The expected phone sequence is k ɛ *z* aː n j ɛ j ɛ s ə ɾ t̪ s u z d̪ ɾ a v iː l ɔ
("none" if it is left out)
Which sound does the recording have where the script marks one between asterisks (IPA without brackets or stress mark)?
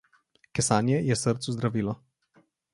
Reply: s